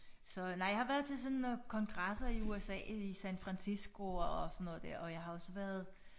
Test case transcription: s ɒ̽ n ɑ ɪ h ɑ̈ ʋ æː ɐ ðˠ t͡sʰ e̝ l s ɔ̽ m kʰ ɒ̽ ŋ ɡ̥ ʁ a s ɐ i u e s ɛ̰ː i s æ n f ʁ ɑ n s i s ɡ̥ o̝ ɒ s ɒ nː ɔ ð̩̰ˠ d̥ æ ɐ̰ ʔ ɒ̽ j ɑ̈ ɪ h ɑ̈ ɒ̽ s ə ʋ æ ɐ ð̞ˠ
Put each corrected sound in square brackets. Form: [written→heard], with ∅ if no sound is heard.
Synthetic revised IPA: s ɒ̽ n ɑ ɪ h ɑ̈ ʋ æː ɐ ðˠ t͡sʰ e̝ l s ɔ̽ [m→n] kʰ ɒ̽ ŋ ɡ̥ ʁ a s ɐ i u e s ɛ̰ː i s æ n f ʁ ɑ n s i s ɡ̥ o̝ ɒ s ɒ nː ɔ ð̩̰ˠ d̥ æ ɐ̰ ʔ ɒ̽ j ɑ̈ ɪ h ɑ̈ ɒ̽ s ə ʋ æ ɐ ð̞ˠ